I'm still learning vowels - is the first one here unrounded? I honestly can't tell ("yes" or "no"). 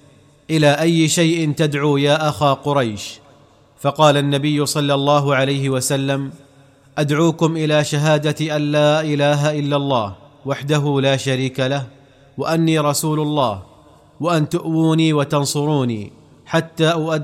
yes